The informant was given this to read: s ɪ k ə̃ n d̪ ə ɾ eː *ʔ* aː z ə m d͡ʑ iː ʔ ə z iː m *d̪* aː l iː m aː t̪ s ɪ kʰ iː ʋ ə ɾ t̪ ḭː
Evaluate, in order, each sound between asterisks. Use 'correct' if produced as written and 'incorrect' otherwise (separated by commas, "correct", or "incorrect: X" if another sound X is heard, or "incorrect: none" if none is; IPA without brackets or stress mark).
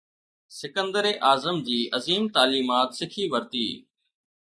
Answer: correct, incorrect: t̪